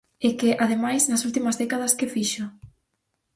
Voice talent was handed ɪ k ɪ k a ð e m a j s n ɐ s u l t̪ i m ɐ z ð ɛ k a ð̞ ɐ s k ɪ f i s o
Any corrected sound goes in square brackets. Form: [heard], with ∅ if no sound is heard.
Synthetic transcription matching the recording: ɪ k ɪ [ʔ] a ð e m a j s n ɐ s u l t̪ i m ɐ z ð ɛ k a ð̞ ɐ s k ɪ f i [ʃ] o